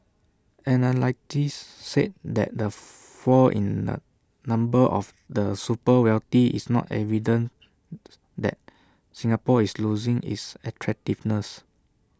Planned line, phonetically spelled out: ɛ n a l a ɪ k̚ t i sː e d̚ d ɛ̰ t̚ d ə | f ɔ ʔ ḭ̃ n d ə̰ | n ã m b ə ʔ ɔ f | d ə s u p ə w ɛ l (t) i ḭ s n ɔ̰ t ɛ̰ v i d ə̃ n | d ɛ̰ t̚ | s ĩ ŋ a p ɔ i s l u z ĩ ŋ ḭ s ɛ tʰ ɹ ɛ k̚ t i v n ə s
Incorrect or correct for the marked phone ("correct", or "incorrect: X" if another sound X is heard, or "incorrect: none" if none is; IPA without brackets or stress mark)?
correct